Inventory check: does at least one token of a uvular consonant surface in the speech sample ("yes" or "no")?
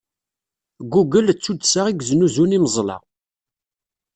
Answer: yes